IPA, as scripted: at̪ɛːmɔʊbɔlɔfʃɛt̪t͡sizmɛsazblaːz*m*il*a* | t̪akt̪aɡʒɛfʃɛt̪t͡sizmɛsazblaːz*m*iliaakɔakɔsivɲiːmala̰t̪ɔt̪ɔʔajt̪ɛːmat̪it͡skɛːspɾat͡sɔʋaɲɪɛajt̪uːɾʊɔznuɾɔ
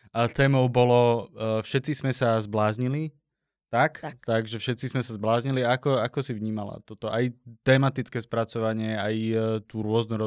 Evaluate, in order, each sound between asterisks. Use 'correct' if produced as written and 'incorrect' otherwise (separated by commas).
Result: incorrect, incorrect, incorrect